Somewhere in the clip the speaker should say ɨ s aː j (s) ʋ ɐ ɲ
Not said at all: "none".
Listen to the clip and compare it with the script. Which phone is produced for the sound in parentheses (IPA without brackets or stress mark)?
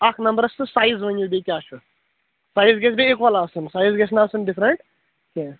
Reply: z